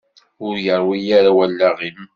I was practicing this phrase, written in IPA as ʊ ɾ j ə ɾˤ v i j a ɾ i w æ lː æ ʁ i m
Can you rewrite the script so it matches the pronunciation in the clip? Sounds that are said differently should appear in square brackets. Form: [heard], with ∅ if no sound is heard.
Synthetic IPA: ʊ ɾ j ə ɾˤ [w] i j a ɾ [a] w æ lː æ ʁ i m